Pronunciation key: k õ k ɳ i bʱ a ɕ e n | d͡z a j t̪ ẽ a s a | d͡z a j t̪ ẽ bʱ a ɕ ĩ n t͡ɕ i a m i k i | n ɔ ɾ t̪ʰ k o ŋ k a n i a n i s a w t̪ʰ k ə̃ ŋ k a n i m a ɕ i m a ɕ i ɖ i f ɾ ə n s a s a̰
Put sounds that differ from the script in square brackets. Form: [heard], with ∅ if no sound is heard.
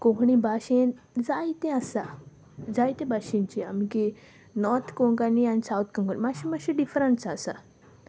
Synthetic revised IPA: k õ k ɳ i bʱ a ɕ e n | d͡z a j t̪ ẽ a s a | d͡z a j t̪ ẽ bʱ a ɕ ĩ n t͡ɕ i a m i k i | n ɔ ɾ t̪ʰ k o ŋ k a n i a n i s a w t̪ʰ k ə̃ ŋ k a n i m a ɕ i m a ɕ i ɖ i f ɾ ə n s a s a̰